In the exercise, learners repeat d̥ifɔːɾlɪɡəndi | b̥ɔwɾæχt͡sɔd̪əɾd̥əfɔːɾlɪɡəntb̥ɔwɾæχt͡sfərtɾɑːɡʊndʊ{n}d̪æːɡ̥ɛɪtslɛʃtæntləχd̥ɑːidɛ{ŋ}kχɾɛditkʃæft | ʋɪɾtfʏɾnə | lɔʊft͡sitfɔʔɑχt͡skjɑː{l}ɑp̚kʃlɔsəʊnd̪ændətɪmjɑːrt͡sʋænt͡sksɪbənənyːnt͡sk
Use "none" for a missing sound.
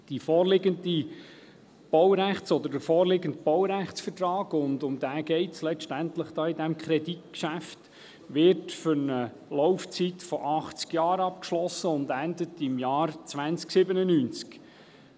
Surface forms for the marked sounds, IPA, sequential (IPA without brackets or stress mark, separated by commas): m, m, ɾ